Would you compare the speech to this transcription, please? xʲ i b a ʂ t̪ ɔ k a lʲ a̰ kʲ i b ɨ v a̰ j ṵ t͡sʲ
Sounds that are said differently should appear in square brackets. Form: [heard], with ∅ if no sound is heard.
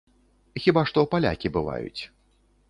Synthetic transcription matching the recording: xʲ i b a ʂ t̪ ɔ [p] a lʲ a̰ kʲ i b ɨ v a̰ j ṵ t͡sʲ